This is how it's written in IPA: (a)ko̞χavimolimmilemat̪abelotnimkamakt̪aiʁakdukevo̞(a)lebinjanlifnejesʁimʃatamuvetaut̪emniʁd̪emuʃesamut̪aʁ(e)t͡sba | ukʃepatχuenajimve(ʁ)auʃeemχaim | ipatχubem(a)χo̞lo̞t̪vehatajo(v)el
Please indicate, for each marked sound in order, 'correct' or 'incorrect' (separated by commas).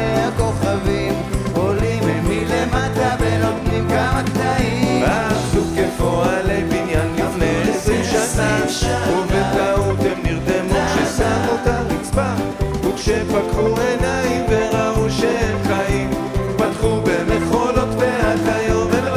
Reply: correct, correct, incorrect, correct, incorrect, correct